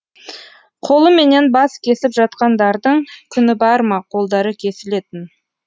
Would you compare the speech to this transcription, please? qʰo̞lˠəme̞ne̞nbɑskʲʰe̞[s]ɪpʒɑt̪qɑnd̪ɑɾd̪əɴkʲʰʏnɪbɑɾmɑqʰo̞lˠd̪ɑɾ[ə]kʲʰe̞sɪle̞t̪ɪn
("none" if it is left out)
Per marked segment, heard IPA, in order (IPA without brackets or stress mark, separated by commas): s, ə